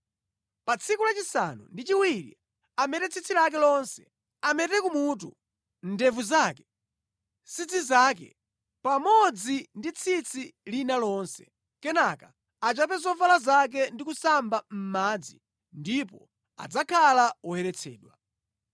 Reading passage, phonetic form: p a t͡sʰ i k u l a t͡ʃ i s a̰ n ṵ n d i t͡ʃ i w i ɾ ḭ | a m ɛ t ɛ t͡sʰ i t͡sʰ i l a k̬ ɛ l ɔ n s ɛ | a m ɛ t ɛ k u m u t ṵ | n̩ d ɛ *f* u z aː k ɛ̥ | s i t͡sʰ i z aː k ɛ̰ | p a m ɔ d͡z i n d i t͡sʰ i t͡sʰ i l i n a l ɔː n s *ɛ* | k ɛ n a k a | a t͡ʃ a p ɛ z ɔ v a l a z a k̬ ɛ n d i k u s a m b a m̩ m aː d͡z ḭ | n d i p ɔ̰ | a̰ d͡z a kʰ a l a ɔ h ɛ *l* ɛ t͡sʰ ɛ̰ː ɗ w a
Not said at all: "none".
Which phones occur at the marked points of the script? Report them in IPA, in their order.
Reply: v, ɛ, ɾ

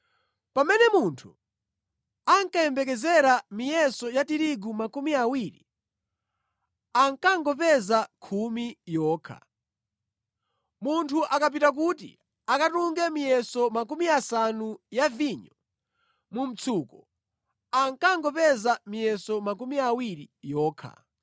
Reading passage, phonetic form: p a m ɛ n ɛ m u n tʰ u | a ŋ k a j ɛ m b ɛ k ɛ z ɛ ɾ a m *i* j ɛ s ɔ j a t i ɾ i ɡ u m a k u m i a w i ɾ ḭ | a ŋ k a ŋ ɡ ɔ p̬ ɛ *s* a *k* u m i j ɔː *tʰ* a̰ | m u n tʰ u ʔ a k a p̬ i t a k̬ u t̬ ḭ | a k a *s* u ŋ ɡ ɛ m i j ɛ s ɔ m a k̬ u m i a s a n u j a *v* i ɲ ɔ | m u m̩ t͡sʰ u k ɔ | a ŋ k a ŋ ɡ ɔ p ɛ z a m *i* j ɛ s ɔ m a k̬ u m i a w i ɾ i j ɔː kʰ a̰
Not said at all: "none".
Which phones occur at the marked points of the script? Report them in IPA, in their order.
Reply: i, z, kʰ, kʰ, t, v, i

